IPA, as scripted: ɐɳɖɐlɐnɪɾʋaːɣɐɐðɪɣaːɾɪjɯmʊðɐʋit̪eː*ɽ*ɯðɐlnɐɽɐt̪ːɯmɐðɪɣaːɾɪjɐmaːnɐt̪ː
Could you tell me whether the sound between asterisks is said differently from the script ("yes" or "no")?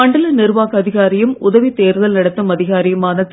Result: yes